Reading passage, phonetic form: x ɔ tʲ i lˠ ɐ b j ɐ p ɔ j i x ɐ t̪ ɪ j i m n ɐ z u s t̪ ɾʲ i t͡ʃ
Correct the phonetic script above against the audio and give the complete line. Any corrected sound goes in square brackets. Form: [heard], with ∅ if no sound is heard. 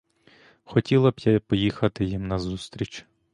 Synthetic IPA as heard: x ɔ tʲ i lˠ ɐ b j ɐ p ɔ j i x ɐ t̪ ɪ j i m n ɐ z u s t̪ ɾʲ i t͡ʃ

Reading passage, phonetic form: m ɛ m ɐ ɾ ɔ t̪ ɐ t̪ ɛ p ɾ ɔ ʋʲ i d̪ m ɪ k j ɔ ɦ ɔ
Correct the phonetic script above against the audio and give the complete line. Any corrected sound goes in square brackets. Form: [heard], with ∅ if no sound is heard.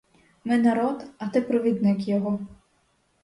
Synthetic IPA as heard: m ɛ [n] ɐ ɾ ɔ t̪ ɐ t̪ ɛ p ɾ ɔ ʋʲ i d̪ [n] ɪ k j ɔ ɦ ɔ

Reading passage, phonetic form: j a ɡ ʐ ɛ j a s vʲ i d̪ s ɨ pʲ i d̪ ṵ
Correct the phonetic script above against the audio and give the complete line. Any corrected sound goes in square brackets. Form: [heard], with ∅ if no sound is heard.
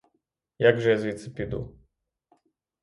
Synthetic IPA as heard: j a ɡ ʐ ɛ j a [z] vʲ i [t̪] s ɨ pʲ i d̪ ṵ

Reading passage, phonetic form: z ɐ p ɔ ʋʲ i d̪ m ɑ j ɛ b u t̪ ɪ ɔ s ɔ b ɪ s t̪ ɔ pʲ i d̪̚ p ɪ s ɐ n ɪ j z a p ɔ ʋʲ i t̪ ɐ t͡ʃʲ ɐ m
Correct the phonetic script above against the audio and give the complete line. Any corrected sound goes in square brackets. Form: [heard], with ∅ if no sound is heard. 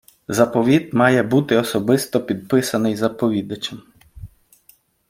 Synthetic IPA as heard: z ɐ p ɔ ʋʲ i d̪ m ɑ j ɛ b u t̪ ɪ ɔ s ɔ b ɪ s t̪ ɔ pʲ i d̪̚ p ɪ s ɐ n ɪ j z [ɐ] p ɔ ʋʲ i [d̪] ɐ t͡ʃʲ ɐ m

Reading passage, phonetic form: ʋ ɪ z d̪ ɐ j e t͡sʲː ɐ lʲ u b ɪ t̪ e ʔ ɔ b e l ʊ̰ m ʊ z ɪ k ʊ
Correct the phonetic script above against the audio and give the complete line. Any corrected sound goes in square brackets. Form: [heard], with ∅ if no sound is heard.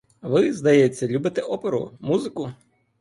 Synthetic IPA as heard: ʋ ɪ z d̪ ɐ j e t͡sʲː ɐ lʲ u b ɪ t̪ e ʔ ɔ [p] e [ɾ] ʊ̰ m [u] z ɪ k ʊ

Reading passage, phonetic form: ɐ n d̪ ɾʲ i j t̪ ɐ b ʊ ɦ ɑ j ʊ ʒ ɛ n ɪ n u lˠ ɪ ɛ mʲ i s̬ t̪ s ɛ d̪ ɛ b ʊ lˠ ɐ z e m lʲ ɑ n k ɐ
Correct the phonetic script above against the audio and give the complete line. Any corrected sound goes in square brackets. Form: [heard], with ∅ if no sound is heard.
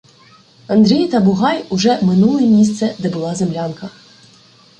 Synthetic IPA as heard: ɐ n d̪ ɾʲ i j t̪ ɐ b ʊ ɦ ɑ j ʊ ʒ ɛ [m] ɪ n u lˠ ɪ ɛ mʲ i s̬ t̪ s ɛ d̪ ɛ b ʊ lˠ [ɑ] z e m lʲ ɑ n k ɐ

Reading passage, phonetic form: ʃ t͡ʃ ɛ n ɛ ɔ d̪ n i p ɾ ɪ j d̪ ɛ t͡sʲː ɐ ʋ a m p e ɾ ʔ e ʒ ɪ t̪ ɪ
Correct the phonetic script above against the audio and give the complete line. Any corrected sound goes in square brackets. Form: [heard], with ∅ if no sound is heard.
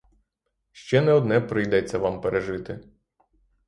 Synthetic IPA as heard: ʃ t͡ʃ ɛ n ɛ ɔ d̪ n [ɛ] p ɾ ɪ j d̪ ɛ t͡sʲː ɐ ʋ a m p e ɾ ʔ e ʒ ɪ t̪ ɪ

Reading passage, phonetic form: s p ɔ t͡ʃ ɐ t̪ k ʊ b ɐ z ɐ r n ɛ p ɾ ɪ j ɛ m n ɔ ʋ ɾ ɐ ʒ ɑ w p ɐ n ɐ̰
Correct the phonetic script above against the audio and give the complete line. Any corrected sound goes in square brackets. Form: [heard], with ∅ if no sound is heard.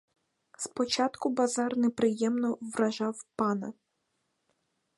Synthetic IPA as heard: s p ɔ t͡ʃ [ɑ] t̪ k ʊ b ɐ z [ɑ] r n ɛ p ɾ ɪ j ɛ m n ɔ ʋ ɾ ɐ ʒ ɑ w p [ɑ] n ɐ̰

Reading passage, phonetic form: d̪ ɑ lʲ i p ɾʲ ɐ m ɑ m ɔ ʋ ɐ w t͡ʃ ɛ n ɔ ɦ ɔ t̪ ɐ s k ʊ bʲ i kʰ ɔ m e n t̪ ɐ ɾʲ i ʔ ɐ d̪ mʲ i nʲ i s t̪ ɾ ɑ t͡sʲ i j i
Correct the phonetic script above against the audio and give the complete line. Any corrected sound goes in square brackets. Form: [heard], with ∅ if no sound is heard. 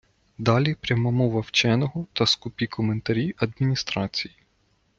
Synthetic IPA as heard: d̪ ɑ lʲ i p ɾʲ ɐ m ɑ m ɔ ʋ ɐ w t͡ʃ ɛ n ɔ ɦ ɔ t̪ ɐ s k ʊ [pʲ] i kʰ ɔ m e n t̪ ɐ ɾʲ i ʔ ɐ d̪ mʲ i nʲ i s t̪ ɾ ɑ t͡sʲ i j i

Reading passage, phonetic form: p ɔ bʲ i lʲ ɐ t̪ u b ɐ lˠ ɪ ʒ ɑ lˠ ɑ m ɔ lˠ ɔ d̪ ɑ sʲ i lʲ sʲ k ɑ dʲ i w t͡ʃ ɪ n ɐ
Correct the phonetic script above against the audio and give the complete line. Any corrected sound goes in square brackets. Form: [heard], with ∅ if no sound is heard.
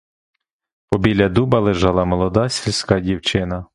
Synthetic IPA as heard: p ɔ bʲ i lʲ ɐ [d̪] u b ɐ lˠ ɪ ʒ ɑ lˠ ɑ m ɔ lˠ ɔ d̪ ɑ sʲ i lʲ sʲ k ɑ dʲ i w t͡ʃ ɪ n ɐ

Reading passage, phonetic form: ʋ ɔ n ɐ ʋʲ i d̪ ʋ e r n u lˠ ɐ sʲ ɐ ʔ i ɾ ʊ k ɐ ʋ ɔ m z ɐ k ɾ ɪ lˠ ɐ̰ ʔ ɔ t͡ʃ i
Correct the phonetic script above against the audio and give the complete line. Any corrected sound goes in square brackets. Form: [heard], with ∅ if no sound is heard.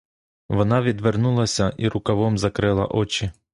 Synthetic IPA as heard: ʋ ɔ n [ɑ] ʋʲ i d̪ ʋ e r n u lˠ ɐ sʲ ɐ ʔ i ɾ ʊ k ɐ ʋ ɔ m z ɐ k ɾ ɪ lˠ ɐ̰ ʔ ɔ t͡ʃ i

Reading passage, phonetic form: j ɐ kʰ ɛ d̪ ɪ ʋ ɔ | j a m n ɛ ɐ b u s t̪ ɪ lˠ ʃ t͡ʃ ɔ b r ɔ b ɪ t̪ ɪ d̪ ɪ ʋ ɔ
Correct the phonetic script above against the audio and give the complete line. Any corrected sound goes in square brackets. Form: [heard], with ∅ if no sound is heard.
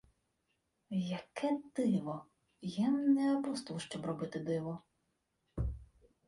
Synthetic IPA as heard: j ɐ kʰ ɛ d̪ ɪ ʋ ɔ | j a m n ɛ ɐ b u s t̪ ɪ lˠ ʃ t͡ʃ ɔ b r ɔ b ɪ t̪ ɪ d̪ ɪ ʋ ɔ

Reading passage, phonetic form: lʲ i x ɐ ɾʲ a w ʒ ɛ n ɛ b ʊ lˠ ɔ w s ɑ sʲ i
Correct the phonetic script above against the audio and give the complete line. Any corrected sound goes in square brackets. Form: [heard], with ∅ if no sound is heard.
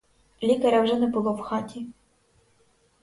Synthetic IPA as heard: lʲ i [k] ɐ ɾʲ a w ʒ ɛ n ɛ b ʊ lˠ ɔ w [x] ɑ [tʲ] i

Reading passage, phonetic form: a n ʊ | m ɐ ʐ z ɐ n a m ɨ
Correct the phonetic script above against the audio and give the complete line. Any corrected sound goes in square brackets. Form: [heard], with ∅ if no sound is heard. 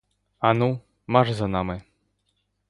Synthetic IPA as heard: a n [u] | m [a] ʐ z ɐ n a m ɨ

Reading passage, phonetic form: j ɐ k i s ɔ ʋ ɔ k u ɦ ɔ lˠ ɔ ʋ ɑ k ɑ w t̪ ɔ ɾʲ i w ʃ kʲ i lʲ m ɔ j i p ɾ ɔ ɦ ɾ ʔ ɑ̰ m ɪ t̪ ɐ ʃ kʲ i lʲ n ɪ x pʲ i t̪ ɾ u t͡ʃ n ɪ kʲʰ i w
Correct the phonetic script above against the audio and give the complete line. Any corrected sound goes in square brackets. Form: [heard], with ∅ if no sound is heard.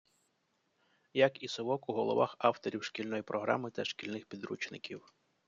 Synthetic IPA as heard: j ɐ k i s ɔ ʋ ɔ k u ɦ ɔ lˠ ɔ ʋ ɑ [x] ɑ w t̪ ɔ ɾʲ i w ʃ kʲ i lʲ [n] ɔ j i p ɾ ɔ ɦ ɾ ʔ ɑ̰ m ɪ t̪ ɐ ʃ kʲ i lʲ n ɪ x pʲ i [d̪] ɾ u t͡ʃ n ɪ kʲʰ i w

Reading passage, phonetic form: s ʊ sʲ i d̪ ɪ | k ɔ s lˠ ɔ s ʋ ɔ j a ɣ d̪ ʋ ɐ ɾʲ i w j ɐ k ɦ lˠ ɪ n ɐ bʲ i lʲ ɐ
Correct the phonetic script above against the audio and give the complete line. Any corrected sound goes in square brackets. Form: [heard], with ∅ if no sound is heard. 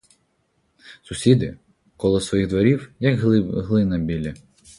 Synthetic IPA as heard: s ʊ sʲ i d̪ ɪ | k ɔ [∅] lˠ ɔ s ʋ ɔ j [i] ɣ d̪ ʋ ɐ ɾʲ i w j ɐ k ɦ lˠ ɪ n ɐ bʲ i lʲ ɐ

